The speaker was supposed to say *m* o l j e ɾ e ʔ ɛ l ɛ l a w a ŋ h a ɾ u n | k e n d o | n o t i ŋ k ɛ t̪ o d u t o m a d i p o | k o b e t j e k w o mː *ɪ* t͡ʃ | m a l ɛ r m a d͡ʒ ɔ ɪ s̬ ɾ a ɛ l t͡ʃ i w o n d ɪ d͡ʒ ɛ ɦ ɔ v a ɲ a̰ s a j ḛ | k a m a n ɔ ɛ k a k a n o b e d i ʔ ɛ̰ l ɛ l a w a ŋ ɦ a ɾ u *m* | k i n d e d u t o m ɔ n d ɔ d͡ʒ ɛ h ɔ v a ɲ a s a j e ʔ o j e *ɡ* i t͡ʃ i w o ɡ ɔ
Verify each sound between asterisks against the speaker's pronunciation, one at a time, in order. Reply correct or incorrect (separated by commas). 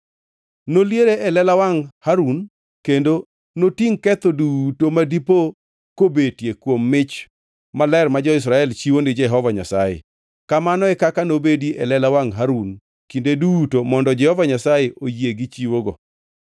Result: incorrect, correct, incorrect, correct